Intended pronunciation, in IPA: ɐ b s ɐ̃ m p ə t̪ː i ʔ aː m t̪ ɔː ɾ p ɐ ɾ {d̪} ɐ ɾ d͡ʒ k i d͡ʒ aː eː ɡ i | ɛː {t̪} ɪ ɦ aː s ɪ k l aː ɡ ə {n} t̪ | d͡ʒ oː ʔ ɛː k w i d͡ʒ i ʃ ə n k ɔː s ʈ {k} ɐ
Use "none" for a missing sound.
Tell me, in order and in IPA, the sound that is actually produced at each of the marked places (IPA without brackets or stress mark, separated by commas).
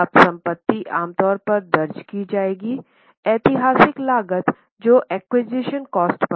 d̪, t̪, none, p